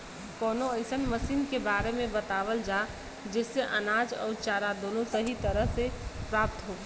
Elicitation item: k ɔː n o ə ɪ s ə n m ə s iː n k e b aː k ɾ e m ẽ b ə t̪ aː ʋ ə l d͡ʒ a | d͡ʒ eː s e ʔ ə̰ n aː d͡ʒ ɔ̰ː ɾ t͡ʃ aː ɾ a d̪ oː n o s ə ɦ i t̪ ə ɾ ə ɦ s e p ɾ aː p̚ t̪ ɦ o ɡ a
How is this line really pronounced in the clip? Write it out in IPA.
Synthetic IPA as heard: k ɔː n o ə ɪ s ə n m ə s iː n k e b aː ɾ e m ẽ b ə t̪ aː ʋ ə l d͡ʒ a | d͡ʒ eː s e ʔ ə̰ n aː d͡ʒ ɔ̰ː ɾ t͡ʃ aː ɾ a d̪ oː n o s ə ɦ i t̪ ə ɾ ə ɦ s e p ɾ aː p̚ t̪ ɦ o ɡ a